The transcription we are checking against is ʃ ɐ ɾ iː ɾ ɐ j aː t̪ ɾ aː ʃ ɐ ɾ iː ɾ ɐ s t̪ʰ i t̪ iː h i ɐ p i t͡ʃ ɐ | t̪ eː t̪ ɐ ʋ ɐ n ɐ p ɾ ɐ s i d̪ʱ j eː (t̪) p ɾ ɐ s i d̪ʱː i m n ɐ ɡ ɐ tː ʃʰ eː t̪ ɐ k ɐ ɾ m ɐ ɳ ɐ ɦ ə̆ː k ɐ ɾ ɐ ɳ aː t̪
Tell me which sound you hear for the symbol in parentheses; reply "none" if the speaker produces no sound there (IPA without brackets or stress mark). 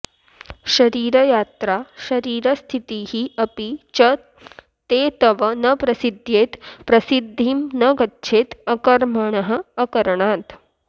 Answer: t̪